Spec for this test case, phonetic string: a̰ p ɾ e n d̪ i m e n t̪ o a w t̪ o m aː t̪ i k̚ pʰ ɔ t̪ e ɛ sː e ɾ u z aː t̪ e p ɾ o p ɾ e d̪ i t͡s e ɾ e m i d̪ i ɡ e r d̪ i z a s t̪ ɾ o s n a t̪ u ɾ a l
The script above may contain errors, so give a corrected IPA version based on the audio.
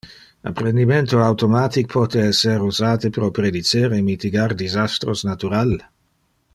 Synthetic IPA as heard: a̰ p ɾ e n d̪ i m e n t̪ o a w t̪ o m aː t̪ i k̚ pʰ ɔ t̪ e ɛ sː e ɾ u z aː t̪ e p ɾ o p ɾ e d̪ i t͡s e ɾ e m i t̪ i ɡ a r d̪ i z a s t̪ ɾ o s n a t̪ u ɾ a l